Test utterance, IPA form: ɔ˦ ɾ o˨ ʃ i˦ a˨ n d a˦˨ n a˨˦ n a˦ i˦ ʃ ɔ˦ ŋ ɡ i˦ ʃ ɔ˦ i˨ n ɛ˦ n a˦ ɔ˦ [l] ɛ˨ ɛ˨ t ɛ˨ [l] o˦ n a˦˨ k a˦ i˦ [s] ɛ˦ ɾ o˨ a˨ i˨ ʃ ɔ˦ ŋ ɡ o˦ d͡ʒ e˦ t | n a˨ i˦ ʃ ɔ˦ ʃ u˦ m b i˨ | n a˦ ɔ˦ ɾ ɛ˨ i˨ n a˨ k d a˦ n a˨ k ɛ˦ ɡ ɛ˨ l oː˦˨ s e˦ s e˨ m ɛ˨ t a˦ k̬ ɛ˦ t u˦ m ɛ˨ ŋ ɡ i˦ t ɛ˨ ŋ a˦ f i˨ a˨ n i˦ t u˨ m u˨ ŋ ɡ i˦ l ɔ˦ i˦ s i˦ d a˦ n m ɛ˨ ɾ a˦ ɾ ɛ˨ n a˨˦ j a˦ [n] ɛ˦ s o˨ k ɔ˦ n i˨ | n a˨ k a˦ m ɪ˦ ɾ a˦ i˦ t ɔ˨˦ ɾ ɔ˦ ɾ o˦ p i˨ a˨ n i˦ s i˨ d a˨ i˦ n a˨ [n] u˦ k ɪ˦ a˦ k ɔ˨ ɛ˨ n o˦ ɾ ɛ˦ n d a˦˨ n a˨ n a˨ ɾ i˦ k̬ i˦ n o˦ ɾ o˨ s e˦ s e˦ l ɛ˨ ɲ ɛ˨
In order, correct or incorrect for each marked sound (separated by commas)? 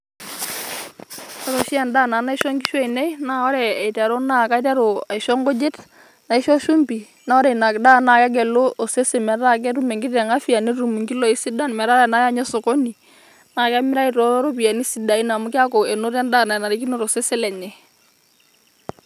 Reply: incorrect, incorrect, incorrect, incorrect, incorrect